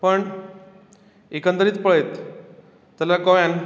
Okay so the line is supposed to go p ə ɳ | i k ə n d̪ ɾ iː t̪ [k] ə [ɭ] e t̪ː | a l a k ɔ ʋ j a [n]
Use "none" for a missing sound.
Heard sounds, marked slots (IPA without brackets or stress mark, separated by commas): p, ɭ, n